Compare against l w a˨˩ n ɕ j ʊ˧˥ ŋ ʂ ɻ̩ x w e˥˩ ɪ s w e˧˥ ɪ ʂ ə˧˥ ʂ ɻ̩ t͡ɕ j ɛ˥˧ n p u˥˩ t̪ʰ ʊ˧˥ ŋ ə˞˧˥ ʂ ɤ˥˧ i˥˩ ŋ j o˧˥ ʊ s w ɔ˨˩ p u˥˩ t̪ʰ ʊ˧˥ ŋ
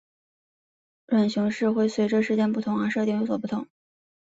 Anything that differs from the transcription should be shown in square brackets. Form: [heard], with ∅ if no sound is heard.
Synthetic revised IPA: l w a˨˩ n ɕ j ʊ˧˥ ŋ ʂ ɻ̩ x w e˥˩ ɪ s w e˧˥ ɪ [ʈ͡ʂ] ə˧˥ ʂ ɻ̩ t͡ɕ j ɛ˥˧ n p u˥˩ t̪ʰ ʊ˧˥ ŋ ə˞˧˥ ʂ ɤ˥˧ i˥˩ ŋ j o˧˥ ʊ s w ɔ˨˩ p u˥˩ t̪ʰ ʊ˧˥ ŋ